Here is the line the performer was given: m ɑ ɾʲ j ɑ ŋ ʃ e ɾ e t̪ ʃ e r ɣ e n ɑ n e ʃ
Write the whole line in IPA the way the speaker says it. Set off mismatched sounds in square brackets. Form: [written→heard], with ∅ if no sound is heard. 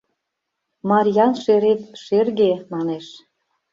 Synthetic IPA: m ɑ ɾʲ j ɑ [ŋ→n] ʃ e ɾ e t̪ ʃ e r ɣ e [n→m] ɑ n e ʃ